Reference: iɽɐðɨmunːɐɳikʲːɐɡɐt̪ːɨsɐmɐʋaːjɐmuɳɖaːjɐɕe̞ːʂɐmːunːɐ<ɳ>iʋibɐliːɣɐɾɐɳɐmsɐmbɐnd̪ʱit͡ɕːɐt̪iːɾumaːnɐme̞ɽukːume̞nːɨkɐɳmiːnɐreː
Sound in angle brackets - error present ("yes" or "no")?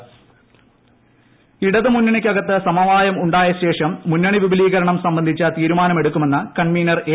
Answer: no